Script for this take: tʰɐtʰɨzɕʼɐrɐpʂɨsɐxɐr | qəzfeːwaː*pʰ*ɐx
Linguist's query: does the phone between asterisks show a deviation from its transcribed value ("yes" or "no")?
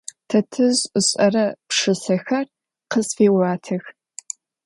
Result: yes